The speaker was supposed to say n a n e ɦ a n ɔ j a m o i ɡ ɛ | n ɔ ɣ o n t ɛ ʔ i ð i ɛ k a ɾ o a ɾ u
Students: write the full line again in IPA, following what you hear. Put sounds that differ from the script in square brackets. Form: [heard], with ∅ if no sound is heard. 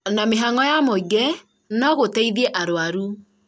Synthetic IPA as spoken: n a [m] e ɦ a [ŋ] ɔ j a m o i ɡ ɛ | n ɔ ɣ o [∅] t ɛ [∅] i ð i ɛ [ʔ] a ɾ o a ɾ u